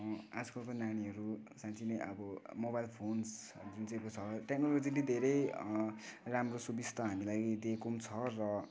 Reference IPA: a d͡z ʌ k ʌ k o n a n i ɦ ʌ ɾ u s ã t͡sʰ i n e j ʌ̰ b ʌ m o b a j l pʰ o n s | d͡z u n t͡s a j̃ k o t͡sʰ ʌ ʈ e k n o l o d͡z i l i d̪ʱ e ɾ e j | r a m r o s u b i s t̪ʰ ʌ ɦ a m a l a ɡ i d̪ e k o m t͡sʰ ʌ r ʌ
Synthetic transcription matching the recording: a d͡z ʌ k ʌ k o n a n i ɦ ʌ ɾ u s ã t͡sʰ i n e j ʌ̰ b ʌ m o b a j l pʰ o n s | d͡z u n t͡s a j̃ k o t͡sʰ ʌ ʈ e k n o l o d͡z i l i d̪ʱ e ɾ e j | r a m r o s u b i s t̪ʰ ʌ ɦ a m i l a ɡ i d̪ e k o m t͡sʰ ʌ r ʌ